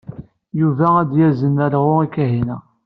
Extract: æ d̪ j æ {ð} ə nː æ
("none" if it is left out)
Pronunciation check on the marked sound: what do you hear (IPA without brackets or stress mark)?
z